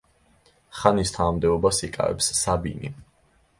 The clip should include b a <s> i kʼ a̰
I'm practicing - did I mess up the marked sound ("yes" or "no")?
no